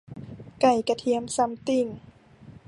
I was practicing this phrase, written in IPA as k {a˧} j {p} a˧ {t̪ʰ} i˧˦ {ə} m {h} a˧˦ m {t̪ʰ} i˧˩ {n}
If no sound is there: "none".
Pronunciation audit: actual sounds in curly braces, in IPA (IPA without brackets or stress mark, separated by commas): a˨˩, k, t̪ʰ, ə, s, t̪, ŋ